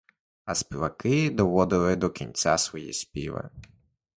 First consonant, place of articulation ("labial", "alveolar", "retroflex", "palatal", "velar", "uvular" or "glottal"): alveolar